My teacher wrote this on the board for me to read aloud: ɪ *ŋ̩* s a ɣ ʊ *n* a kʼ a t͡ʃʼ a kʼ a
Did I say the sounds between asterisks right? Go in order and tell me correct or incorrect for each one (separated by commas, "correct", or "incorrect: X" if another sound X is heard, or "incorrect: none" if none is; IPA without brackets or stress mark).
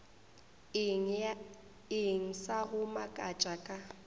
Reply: correct, incorrect: m